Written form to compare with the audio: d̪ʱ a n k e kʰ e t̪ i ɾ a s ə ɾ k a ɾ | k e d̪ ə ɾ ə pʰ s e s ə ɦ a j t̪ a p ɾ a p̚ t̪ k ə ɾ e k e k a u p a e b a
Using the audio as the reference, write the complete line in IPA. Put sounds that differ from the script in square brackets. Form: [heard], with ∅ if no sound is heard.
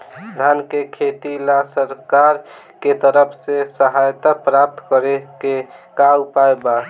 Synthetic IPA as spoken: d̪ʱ a n k e kʰ e t̪ i [l] a s ə ɾ k a ɾ | k e [t̪] ə ɾ ə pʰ s e s ə ɦ a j t̪ a p ɾ a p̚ t̪ k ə ɾ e k e k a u p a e b a